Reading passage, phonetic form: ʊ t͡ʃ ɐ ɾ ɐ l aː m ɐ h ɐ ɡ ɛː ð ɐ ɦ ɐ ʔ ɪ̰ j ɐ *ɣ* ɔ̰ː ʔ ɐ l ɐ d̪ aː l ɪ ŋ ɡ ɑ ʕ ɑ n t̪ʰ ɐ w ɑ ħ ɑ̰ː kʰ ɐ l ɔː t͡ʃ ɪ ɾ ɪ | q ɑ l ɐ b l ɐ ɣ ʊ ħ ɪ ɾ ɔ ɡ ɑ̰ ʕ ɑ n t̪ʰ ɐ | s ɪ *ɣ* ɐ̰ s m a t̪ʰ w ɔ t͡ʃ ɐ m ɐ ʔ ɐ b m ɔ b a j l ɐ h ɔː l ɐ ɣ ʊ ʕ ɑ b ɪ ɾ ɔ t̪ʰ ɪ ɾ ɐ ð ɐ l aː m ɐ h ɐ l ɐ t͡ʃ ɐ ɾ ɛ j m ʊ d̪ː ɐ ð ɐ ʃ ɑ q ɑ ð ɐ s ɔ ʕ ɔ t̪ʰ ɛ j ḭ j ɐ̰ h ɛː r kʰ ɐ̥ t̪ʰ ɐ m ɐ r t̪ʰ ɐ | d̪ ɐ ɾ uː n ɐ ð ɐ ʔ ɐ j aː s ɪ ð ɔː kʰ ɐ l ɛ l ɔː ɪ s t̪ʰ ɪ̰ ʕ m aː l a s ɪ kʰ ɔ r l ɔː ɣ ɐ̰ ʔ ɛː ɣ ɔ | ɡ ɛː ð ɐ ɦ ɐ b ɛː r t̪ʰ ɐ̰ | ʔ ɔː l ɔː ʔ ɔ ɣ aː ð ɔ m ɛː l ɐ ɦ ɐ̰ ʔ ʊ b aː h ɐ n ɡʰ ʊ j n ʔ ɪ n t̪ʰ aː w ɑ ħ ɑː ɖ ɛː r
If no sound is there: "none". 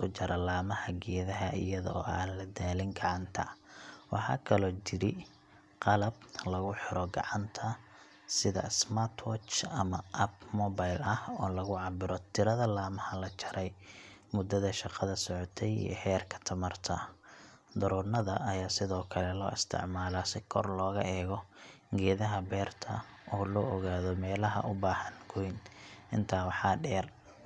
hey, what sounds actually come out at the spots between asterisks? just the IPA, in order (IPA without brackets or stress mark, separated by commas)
ð, ð